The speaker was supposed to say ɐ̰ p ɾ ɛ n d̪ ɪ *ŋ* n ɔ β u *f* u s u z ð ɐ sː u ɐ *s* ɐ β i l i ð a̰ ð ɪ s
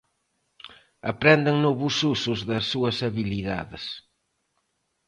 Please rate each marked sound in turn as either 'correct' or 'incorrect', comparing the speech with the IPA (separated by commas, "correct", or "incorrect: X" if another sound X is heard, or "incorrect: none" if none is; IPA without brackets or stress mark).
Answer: correct, incorrect: s, correct